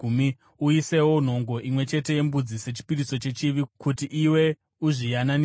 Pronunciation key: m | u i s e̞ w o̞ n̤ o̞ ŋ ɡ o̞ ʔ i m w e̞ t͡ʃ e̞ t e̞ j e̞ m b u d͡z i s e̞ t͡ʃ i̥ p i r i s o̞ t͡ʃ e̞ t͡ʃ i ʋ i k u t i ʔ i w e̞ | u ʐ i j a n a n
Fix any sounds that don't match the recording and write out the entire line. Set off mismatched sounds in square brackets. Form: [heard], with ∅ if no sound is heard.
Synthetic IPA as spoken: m | u i s e̞ w o̞ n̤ o̞ ŋ ɡ o̞ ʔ i m w e̞ t͡ʃ e̞ t e̞ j e̞ m b u d͡z i s e̞ t͡ʃ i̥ p i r i s o̞ t͡ʃ e̞ t͡ʃ i ʋ i k u t i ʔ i w e̞ | u ʐ i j a n a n